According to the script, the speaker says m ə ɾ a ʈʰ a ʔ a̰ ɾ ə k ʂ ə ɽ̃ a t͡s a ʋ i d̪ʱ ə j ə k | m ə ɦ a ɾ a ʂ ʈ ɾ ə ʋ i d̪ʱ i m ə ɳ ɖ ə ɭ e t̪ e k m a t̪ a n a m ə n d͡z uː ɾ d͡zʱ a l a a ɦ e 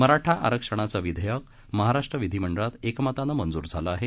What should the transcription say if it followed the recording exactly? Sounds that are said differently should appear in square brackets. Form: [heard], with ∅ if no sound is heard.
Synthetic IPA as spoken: m ə ɾ a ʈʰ a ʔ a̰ ɾ ə k ʂ ə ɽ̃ a t͡s a ʋ i d̪ʱ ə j ə k | m ə ɦ a ɾ a ʂ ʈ ɾ ə ʋ i d̪ʱ i m ə ɳ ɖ ə ɭ [a] t̪ e k m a t̪ a n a m ə n d͡z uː ɾ d͡zʱ a l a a ɦ e